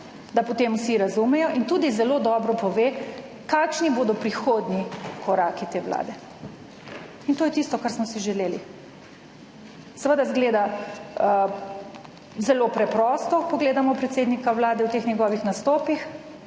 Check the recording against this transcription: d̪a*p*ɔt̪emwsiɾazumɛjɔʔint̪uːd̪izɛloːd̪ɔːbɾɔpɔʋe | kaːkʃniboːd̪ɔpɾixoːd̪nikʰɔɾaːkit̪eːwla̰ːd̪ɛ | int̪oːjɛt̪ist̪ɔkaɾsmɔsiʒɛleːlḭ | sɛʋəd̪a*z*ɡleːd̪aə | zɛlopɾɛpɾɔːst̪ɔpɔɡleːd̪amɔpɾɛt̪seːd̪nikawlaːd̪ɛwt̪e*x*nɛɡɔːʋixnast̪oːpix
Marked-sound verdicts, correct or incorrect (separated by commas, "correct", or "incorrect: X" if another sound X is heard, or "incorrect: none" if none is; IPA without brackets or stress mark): correct, correct, correct